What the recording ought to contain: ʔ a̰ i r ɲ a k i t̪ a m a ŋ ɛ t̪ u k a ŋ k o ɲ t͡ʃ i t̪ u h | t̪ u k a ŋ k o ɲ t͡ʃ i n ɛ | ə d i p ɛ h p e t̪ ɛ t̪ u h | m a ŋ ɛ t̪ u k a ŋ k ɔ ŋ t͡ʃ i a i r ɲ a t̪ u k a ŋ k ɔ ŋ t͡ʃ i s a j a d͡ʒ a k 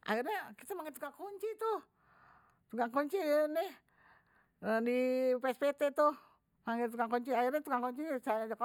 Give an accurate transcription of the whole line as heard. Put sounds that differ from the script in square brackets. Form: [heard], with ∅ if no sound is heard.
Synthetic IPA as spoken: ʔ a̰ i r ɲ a k i t̪ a m a ŋ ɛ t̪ u k a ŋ k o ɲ t͡ʃ i t̪ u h | t̪ u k a ŋ k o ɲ t͡ʃ i n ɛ | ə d i p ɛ [s] p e t̪ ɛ t̪ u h | m a ŋ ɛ t̪ u k a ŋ k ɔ [ɲ] t͡ʃ i a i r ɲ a t̪ u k a ŋ k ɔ [ɲ] t͡ʃ i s a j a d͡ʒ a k